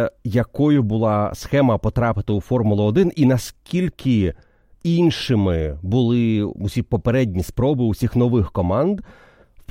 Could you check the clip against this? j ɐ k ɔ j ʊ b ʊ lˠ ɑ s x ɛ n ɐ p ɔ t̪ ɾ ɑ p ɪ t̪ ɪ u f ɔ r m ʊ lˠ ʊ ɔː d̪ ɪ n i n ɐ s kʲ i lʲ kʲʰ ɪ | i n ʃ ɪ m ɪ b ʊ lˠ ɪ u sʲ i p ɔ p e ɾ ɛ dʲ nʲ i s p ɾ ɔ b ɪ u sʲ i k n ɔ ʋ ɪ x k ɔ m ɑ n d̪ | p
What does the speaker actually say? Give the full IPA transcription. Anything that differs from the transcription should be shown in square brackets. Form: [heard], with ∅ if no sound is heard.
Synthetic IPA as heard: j ɐ k ɔ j ʊ b ʊ lˠ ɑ s x ɛ [m] ɐ p ɔ t̪ ɾ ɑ p ɪ t̪ ɪ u f ɔ r m ʊ lˠ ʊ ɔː d̪ ɪ n i n ɐ s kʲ i lʲ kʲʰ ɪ | i n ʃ ɪ m ɪ b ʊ lˠ ɪ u sʲ i p ɔ p e ɾ ɛ dʲ nʲ i s p ɾ ɔ b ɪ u sʲ i [x] n ɔ ʋ ɪ x k ɔ m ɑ n d̪ | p